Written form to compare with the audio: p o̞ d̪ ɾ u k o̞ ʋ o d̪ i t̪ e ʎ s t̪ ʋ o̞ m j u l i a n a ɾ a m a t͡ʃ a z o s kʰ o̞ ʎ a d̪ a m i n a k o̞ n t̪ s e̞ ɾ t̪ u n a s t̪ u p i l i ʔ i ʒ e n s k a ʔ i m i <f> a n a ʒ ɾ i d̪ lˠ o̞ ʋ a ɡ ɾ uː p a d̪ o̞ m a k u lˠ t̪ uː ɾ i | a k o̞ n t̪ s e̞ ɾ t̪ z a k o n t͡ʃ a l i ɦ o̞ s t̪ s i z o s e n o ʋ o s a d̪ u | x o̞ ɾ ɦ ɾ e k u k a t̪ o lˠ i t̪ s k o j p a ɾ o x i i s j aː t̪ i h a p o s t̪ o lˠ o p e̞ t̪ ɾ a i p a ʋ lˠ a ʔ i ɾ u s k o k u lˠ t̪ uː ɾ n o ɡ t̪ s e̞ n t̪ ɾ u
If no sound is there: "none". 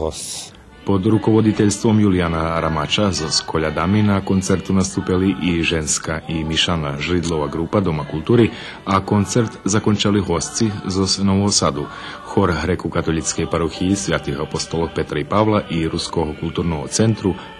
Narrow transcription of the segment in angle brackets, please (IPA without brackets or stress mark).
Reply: ʃ